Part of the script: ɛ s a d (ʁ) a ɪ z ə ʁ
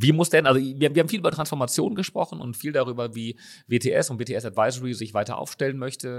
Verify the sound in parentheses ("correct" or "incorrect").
incorrect